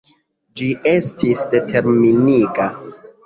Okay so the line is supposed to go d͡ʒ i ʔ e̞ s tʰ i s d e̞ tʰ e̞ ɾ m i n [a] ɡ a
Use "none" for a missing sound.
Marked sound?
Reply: i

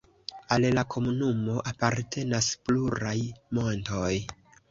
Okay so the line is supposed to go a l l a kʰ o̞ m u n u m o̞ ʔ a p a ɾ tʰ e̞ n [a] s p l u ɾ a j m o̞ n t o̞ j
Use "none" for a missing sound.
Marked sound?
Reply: a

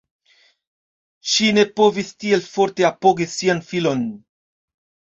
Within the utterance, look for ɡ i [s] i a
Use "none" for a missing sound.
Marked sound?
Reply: s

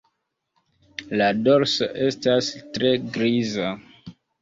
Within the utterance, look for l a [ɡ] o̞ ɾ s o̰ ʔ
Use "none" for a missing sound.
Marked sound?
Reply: d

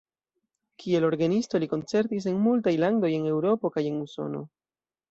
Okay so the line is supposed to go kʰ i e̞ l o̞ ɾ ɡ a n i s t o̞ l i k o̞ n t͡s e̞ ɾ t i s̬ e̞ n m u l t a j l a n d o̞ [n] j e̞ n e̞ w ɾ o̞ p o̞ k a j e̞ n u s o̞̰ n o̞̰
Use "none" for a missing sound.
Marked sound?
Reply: none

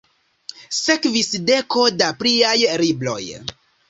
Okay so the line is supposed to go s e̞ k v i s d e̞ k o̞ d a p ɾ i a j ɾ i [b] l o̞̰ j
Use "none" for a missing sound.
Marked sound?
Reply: b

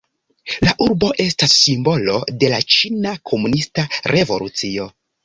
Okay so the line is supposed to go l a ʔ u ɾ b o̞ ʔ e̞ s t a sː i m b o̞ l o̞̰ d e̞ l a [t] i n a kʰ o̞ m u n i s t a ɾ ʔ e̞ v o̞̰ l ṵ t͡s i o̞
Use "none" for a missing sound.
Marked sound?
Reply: t͡ʃ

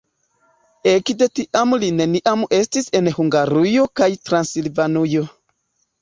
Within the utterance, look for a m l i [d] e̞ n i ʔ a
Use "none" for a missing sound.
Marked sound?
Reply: n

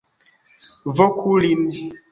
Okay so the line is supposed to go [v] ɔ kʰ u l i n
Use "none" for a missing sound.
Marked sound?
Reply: v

